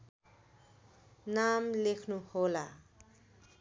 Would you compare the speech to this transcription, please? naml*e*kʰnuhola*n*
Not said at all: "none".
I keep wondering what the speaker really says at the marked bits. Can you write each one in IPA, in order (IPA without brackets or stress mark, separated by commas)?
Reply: e, none